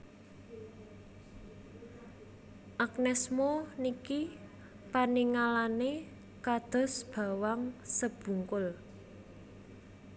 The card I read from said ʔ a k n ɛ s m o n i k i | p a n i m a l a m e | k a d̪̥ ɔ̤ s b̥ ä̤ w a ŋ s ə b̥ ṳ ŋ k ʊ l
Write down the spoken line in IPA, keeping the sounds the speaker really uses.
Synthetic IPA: ʔ a k n ɛ s m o n i k i | p a n i ŋ a l a n e | k a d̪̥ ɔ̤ s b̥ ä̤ w a ŋ s ə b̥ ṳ ŋ k ʊ l